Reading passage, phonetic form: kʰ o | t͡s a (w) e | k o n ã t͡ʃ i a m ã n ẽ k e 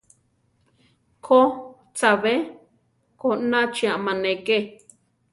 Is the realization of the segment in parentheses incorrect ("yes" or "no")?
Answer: yes